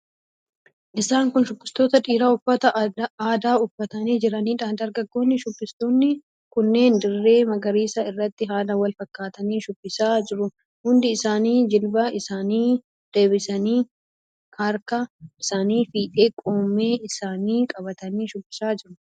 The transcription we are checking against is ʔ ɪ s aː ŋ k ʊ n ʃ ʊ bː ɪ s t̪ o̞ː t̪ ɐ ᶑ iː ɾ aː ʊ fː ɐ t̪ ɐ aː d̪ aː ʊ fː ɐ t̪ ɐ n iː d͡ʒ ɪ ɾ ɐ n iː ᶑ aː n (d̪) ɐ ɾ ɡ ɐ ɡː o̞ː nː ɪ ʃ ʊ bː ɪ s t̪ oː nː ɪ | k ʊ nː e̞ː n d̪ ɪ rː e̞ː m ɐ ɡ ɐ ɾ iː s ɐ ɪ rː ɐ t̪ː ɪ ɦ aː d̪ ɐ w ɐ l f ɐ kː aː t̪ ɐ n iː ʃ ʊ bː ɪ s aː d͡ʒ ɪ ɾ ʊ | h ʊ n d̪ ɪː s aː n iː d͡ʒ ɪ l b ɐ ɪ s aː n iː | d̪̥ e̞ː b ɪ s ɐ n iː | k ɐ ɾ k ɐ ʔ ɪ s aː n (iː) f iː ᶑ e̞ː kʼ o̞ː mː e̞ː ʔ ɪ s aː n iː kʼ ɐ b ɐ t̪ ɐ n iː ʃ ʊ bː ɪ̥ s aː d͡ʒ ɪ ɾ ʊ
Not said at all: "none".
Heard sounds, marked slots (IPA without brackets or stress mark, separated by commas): d̪, iː